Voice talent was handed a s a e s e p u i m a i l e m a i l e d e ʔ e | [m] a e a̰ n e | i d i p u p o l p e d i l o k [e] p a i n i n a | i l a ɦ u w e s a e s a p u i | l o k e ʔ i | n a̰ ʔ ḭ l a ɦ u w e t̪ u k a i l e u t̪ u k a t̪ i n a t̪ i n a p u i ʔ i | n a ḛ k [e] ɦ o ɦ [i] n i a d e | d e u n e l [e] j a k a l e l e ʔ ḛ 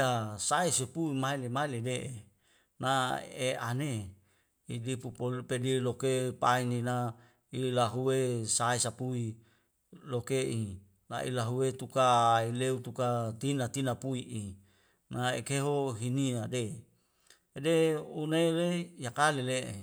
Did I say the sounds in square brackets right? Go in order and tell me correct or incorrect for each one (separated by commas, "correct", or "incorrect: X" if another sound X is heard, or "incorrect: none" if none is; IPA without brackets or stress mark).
incorrect: n, correct, correct, correct, correct